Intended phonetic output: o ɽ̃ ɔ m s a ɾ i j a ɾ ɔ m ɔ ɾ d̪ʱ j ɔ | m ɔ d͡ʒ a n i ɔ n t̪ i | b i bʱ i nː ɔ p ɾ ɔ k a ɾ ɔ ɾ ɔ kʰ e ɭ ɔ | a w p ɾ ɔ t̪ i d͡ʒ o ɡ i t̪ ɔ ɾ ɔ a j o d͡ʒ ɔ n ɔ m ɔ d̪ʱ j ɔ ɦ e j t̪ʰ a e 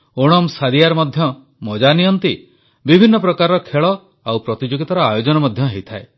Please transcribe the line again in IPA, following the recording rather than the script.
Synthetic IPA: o ɽ̃ ɔ m s a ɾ i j a ɾ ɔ m ɔ d̪ʱ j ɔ | m ɔ d͡ʒ a n i ɔ n t̪ i | b i bʱ i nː ɔ p ɾ ɔ k a ɾ ɔ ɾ ɔ kʰ e ɭ ɔ | a w p ɾ ɔ t̪ i d͡ʒ o ɡ i t̪ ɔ ɾ ɔ a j o d͡ʒ ɔ n ɔ m ɔ d̪ʱ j ɔ ɦ e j t̪ʰ a e